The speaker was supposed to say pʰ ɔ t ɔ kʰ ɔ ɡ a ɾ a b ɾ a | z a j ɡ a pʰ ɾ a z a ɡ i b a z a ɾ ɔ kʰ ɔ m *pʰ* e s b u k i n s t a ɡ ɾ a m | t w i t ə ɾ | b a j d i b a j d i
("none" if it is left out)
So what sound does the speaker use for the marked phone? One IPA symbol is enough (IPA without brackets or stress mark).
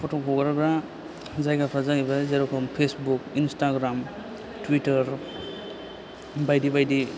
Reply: pʰ